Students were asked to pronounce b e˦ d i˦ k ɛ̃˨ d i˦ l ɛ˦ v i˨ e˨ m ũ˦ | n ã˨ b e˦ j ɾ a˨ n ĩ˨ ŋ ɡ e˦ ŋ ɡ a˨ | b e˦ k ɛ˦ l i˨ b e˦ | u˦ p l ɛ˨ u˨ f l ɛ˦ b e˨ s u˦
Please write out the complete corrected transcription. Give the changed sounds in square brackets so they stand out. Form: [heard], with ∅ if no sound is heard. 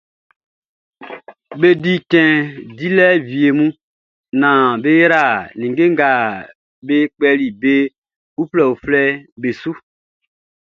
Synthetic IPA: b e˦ d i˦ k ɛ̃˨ d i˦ l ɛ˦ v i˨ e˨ m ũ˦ | n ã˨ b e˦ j ɾ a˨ n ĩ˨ ŋ ɡ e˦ ŋ ɡ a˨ | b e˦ [k͡p] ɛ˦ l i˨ b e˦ | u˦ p l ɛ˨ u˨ f l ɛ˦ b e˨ s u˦